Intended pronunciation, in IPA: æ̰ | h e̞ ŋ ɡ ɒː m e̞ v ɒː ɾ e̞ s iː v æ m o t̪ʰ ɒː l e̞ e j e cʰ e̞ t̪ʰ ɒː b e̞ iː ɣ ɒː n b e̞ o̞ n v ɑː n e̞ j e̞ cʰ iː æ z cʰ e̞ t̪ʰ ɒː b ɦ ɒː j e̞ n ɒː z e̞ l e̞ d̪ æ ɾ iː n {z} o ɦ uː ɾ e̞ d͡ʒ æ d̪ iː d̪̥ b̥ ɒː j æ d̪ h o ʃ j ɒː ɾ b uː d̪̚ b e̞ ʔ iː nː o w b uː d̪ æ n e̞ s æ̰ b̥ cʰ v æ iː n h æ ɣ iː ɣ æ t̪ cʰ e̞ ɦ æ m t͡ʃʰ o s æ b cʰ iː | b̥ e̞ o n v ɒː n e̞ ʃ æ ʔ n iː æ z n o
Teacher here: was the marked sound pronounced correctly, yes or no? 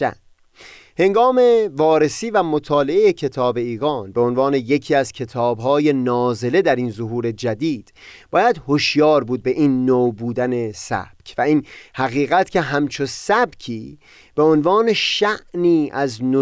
yes